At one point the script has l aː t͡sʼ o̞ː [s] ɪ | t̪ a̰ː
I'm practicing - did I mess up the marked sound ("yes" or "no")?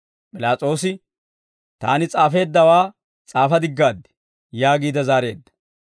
no